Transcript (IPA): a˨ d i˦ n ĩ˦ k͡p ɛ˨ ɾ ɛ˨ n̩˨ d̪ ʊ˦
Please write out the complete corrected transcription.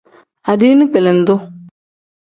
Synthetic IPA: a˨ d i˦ n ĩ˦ k͡p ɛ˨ l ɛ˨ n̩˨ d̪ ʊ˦